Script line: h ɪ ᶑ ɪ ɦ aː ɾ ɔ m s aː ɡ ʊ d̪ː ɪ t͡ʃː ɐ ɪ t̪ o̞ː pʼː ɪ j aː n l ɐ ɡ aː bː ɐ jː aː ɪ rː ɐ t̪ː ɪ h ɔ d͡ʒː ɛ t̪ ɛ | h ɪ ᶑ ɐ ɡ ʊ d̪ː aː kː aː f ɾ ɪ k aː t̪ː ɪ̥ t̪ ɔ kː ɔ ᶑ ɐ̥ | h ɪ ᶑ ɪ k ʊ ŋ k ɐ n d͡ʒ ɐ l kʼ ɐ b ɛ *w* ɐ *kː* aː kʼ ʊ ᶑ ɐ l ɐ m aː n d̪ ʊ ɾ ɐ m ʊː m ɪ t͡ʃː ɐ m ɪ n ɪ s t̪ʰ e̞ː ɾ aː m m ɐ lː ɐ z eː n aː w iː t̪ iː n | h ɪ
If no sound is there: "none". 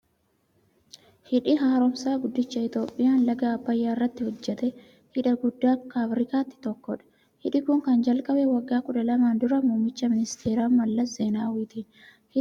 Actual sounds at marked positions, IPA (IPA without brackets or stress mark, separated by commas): w, ɡː